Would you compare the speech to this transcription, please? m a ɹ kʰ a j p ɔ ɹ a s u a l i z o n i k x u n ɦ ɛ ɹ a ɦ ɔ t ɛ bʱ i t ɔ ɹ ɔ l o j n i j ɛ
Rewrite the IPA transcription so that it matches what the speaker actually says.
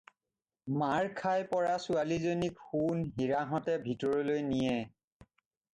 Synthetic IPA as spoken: m a ɹ kʰ a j p ɔ ɹ a s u a l i z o n i k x u n ɦ i ɹ a ɦ ɔ t ɛ bʱ i t ɔ ɹ ɔ l o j n i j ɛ